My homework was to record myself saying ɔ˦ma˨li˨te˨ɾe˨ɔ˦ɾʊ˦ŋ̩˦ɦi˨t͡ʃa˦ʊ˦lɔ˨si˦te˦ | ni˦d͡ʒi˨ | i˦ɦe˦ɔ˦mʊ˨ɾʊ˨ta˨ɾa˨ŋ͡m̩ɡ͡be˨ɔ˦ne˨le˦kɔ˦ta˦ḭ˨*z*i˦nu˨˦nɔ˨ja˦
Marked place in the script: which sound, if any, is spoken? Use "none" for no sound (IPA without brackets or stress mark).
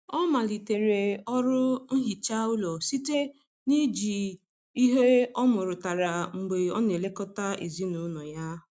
z